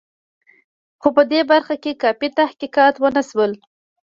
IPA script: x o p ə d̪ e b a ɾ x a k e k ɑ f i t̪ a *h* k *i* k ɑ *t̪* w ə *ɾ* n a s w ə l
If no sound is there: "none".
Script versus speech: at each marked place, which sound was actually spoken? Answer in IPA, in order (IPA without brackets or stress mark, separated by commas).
h, i, t̪, none